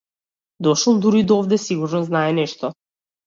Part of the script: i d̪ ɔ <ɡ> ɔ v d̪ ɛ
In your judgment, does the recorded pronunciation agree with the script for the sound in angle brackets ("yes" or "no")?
no